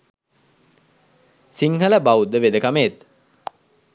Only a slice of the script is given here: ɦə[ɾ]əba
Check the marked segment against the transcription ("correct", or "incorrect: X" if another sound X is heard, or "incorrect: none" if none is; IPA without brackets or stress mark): incorrect: l